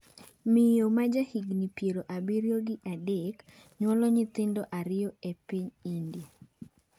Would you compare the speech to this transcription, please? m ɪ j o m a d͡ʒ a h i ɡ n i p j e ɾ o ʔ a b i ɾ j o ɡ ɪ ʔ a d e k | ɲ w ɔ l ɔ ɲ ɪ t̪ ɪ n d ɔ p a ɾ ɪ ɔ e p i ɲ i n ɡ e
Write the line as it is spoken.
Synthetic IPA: m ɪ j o m a d͡ʒ a h i ɡ n i p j e ɾ o ʔ a b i ɾ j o ɡ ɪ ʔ a d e k | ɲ w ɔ l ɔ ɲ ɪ t̪ ɪ n d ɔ ʔ a ɾ ɪ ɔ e p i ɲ i n d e